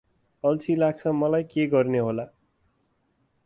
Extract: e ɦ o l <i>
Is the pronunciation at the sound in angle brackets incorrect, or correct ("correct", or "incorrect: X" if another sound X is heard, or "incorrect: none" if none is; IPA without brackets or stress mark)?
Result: incorrect: a